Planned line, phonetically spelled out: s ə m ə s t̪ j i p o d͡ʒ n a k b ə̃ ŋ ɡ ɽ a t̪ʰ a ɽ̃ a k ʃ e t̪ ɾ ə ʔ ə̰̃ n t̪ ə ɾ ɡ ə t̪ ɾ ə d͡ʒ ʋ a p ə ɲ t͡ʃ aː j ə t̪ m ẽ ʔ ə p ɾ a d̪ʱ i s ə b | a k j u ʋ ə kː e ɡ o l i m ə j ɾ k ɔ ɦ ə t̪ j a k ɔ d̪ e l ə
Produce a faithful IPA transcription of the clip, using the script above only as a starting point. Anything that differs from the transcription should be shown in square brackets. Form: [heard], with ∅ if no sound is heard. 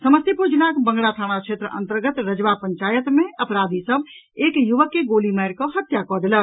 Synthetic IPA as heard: s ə m ə s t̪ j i p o d͡ʒ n a k b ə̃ ŋ ɡ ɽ a t̪ʰ a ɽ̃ a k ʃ e t̪ ɾ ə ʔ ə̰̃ n t̪ ə ɾ ɡ ə t̪ ɾ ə d͡ʒ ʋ a p ə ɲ t͡ʃ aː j ə t̪ m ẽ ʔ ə p ɾ a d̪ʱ i s ə b | [e] k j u ʋ ə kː e ɡ o l i m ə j ɾ k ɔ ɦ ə t̪ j a k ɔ d̪ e l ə